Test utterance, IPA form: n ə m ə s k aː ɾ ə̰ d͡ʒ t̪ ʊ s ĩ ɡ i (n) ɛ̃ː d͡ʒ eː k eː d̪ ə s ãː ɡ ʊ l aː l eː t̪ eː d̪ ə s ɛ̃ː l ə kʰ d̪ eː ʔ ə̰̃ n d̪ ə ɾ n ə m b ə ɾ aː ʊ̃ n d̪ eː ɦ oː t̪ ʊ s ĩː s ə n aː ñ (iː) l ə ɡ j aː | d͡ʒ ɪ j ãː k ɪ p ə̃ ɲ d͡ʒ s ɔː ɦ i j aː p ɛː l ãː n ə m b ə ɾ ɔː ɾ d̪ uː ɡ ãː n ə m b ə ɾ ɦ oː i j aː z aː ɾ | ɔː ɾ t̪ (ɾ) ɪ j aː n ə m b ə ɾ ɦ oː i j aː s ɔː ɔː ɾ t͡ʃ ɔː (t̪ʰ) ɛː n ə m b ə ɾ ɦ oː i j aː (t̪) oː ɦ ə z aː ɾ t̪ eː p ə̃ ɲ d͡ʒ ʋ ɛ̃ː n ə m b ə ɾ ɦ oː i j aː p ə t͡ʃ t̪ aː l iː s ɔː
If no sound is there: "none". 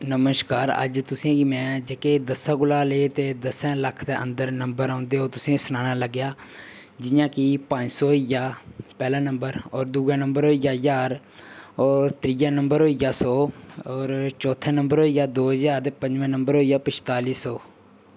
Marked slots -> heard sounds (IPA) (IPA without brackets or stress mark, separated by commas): m, aː, ɾ, t̪ʰ, d̪